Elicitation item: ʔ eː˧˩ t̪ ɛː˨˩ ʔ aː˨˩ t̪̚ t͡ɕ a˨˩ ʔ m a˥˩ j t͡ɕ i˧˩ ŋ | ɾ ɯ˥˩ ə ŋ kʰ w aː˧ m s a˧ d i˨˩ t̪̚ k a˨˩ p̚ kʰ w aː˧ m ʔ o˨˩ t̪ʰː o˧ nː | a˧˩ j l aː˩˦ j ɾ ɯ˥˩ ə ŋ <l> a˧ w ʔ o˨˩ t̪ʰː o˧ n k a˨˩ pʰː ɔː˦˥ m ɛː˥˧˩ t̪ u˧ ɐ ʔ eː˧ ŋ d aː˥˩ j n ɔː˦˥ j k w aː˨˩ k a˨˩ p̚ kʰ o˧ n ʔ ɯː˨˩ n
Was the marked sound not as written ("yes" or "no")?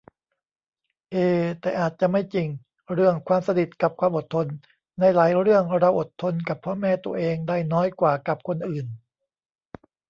yes